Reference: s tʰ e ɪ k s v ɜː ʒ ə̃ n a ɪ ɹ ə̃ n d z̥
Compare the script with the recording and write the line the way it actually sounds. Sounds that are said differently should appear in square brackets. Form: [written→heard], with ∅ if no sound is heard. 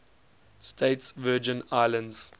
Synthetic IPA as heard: s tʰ e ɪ [k→t] s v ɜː [ʒ→d͡ʒ] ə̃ n a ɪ [ɹ→l] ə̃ n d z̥